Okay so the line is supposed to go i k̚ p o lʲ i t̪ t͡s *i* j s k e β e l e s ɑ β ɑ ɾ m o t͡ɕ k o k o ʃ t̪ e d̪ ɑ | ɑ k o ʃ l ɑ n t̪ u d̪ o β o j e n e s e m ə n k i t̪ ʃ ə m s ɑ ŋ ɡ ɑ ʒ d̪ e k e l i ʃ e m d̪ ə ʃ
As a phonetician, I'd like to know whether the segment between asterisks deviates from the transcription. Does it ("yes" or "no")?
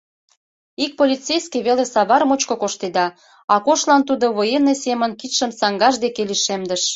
yes